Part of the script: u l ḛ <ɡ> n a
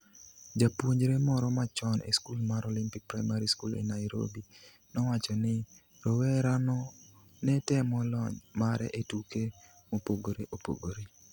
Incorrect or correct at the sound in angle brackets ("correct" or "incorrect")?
incorrect